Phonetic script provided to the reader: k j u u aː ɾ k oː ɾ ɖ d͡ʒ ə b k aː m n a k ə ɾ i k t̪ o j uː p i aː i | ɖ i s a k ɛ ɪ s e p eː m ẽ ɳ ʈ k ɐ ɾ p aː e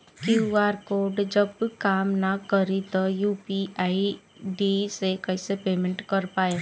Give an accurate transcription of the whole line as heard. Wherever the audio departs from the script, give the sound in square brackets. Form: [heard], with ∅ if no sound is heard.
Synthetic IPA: k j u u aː ɾ k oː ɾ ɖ d͡ʒ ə b k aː m n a k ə ɾ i [∅] t̪ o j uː p i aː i | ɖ i s [e] k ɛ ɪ s e p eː m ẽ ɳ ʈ k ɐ ɾ p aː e